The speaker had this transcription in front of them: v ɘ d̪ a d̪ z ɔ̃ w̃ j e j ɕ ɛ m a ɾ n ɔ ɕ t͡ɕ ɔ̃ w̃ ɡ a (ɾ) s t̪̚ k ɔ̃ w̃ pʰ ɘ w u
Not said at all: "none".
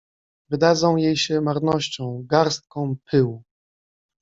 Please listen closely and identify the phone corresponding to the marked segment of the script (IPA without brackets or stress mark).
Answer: ɾ